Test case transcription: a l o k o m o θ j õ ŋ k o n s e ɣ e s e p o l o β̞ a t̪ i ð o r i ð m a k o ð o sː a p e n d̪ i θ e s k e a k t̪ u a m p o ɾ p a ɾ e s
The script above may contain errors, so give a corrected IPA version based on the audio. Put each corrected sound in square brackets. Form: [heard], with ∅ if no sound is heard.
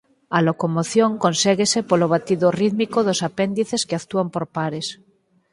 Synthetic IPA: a l o k o m o θ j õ ŋ k o n s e ɣ e s e p o l o β̞ a t̪ i ð o r i ð m [i] k o ð o [s] a p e n d̪ i θ e s k e a k t̪ u a m p o ɾ p a ɾ e s